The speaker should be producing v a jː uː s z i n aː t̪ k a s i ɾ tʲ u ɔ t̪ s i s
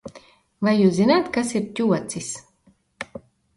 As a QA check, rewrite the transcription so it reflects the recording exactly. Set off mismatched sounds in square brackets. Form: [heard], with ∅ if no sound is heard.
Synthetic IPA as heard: v a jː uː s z i n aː t̪ k a s i ɾ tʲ u ɔ t̪ s i s